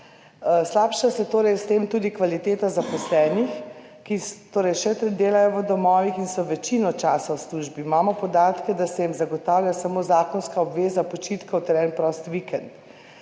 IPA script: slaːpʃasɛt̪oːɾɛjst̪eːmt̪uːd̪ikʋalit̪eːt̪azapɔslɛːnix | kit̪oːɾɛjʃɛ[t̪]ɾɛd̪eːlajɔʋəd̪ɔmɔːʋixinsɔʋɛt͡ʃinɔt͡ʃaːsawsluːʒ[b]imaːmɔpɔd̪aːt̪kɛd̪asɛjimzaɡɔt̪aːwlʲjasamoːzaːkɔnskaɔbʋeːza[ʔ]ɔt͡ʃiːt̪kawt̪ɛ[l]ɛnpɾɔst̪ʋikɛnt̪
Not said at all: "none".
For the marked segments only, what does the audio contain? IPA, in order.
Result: t̪, b, p, ɾ

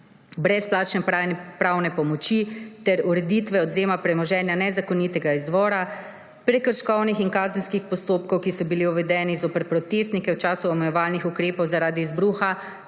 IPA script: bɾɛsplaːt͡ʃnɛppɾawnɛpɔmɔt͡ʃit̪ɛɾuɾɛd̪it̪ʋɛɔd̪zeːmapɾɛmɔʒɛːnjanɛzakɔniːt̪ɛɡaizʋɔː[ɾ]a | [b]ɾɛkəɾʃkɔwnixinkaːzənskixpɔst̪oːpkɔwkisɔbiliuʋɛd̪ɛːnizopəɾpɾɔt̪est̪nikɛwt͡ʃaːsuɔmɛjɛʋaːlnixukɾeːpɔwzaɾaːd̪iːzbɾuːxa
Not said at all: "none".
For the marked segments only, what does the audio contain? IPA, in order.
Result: ɾ, p

